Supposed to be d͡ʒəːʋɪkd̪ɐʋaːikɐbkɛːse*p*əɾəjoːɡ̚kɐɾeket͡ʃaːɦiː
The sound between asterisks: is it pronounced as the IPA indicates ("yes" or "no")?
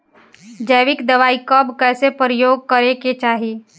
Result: yes